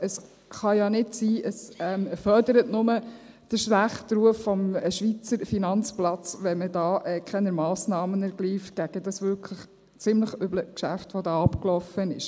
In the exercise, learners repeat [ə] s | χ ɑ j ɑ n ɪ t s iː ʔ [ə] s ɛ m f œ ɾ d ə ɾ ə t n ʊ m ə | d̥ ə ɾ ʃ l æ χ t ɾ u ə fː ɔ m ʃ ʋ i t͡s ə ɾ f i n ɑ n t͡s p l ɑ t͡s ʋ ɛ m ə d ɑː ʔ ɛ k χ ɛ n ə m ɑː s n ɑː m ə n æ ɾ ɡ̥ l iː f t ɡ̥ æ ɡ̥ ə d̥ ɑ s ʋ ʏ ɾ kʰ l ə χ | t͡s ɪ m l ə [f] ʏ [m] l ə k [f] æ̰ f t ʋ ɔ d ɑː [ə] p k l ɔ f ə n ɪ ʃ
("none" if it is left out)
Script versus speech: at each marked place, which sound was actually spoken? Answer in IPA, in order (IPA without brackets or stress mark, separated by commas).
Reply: ə, ə, χ, b, ʃ, ɑ